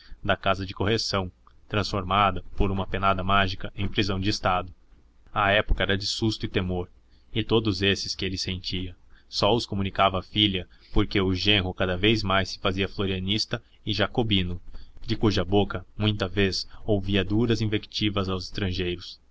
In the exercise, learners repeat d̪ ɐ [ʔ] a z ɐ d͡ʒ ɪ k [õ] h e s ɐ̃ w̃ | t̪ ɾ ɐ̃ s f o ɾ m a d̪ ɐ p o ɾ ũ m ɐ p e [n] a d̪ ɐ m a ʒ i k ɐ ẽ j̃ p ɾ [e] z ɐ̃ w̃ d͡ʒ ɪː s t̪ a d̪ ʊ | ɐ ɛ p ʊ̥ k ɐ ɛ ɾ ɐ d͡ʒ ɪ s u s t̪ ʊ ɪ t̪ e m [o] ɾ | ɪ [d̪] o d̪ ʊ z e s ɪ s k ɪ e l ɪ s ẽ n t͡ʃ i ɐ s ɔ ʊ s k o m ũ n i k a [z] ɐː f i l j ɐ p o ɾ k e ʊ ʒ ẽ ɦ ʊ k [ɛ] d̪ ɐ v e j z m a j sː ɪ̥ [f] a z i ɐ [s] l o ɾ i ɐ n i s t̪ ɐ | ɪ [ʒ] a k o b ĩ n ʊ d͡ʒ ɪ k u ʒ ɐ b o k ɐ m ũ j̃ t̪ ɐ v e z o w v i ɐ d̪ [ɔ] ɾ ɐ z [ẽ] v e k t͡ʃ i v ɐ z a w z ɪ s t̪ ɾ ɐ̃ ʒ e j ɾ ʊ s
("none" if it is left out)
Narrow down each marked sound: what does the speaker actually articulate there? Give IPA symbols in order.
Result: k, o, n, i, o, t̪, v, a, f, f, ʒ, u, ĩ

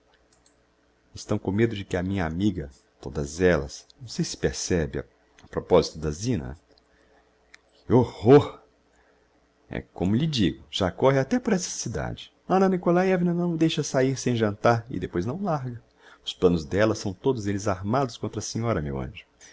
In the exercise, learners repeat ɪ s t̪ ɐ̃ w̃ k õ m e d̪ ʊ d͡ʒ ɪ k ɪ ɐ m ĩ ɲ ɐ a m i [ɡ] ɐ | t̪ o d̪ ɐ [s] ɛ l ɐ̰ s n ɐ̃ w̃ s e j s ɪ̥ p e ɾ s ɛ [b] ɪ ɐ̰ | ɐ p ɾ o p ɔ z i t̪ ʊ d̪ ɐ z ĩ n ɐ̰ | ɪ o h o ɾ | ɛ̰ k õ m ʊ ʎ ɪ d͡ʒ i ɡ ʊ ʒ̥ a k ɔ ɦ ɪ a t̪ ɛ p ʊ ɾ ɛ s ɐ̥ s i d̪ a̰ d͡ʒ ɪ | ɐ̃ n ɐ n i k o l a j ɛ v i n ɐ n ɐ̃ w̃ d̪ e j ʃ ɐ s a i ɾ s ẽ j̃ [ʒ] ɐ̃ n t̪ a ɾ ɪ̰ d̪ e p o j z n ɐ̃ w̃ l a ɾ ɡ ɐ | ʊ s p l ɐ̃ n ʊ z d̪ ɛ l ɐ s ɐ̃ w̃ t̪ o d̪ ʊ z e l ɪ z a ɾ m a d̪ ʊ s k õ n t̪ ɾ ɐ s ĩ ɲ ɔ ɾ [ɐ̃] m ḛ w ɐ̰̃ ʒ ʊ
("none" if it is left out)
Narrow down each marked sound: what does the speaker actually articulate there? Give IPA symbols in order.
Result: ɡ, z, b, ʒ, ɐ

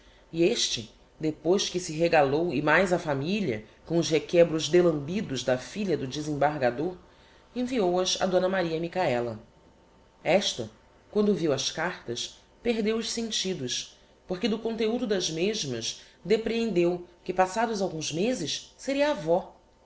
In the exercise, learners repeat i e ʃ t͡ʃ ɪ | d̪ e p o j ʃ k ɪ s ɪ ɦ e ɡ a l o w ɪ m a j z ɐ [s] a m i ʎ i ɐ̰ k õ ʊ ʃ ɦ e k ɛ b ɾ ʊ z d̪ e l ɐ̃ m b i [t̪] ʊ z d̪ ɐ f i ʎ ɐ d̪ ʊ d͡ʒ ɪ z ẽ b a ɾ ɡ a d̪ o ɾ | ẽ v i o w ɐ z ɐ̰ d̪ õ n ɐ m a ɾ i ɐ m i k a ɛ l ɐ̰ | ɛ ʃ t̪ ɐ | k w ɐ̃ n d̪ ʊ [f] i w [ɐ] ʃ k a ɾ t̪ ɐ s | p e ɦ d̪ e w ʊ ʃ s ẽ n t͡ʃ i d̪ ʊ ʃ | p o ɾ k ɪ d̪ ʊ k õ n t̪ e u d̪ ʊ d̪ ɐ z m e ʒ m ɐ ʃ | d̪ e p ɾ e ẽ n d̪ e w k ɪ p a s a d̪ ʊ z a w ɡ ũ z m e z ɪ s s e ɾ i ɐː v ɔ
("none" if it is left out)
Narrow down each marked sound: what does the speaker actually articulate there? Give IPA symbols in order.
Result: f, d̪, v, ɐ

